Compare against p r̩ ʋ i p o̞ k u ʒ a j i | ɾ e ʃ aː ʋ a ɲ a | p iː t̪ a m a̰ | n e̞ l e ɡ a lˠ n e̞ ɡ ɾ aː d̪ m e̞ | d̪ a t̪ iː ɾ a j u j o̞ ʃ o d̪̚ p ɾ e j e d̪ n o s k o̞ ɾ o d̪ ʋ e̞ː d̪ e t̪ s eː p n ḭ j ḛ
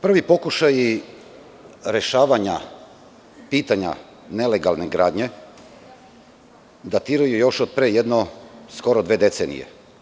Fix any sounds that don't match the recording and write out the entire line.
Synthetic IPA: p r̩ ʋ i p o̞ k u ʃ a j i | ɾ e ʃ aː ʋ a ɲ a | p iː t̪ a ɲ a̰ | n e̞ l e ɡ a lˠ n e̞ ɡ ɾ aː d̪ ɲ e̞ | d̪ a t̪ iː ɾ a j u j o̞ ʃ o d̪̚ p ɾ e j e d̪ n o s k o̞ ɾ o d̪ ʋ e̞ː d̪ e t̪ s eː n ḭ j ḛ